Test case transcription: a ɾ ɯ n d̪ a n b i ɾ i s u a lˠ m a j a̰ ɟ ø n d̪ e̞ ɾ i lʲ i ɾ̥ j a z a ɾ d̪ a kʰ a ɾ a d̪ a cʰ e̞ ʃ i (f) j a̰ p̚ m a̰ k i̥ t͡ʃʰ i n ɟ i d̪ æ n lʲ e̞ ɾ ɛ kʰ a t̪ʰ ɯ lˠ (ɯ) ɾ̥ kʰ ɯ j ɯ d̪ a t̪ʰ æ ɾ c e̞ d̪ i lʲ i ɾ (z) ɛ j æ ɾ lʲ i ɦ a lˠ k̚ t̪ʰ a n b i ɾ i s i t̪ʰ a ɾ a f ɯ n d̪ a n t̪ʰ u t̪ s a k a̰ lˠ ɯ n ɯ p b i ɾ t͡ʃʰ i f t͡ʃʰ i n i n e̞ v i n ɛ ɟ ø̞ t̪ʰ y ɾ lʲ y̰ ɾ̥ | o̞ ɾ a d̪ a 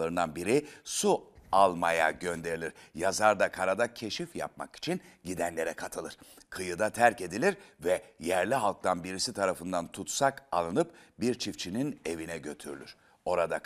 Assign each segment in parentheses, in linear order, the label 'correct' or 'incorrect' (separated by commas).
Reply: correct, correct, incorrect